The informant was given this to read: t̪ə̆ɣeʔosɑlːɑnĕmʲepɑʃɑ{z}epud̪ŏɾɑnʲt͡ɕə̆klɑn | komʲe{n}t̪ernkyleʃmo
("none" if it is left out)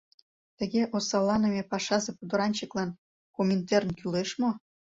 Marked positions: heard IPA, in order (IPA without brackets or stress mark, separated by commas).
z, n